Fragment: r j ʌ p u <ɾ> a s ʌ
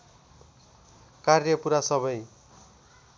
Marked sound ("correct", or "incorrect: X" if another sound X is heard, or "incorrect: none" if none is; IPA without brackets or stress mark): correct